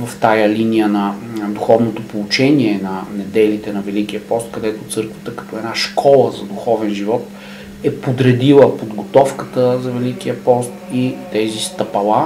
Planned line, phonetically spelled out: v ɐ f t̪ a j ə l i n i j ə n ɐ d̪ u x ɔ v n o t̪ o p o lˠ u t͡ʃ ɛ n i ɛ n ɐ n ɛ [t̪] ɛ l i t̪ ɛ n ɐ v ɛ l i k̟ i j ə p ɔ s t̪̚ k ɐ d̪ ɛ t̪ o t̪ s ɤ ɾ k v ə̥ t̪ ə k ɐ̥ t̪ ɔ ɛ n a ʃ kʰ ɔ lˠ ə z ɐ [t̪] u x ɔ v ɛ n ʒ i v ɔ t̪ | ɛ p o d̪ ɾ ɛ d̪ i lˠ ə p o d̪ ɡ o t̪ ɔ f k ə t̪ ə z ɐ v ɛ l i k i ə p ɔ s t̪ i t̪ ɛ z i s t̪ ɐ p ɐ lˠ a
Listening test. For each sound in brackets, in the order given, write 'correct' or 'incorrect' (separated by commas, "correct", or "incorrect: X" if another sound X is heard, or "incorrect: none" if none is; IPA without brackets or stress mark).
incorrect: d̪, incorrect: d̪